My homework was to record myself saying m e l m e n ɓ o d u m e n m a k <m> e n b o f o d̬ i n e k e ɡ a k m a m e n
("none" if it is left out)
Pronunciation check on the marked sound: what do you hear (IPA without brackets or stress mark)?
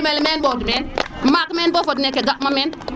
m